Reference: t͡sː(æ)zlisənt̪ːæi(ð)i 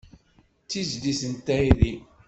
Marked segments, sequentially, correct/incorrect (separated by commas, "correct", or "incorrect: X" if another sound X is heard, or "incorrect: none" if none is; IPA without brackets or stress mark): incorrect: i, correct